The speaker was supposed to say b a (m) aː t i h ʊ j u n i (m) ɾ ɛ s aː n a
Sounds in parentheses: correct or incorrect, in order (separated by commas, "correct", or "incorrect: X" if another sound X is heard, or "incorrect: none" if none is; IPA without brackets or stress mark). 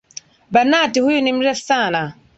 incorrect: n, correct